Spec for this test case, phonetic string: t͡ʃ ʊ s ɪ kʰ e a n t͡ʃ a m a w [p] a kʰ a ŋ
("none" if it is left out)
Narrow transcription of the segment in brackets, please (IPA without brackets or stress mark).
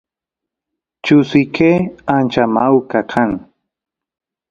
k